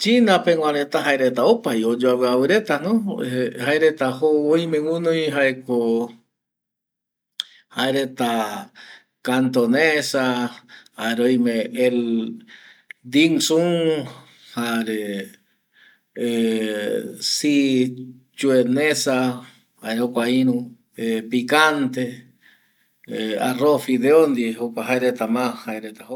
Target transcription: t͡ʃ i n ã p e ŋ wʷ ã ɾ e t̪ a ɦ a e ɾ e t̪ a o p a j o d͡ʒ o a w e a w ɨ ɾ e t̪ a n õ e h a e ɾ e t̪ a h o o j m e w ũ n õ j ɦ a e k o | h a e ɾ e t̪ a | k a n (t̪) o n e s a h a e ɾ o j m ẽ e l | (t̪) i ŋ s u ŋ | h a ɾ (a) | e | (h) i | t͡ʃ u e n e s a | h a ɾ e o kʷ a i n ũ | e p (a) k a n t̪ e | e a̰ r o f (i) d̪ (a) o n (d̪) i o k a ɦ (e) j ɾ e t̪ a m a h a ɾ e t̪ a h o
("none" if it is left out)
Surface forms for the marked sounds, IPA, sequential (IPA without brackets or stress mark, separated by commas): t̪, d̪, e, s, i, i, e, d̪, a